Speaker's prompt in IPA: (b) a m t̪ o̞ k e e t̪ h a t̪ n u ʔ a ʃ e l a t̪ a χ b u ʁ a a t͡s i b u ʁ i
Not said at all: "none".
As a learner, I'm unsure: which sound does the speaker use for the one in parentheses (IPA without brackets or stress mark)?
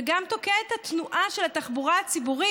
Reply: ɡ